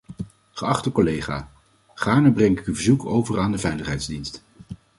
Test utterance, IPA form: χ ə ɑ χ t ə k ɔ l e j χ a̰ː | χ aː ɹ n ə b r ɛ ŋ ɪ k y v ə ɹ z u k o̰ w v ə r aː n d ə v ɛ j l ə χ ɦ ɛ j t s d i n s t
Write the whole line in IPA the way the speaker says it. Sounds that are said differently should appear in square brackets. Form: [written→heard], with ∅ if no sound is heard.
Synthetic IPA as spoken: χ ə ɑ χ t ə k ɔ l e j χ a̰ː | χ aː ɹ n ə b r ɛ ŋ ɪ k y v ə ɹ z u k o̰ w v ə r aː n d ə v ɛ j l ə χ ɦ ɛ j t [s→z] d i n s t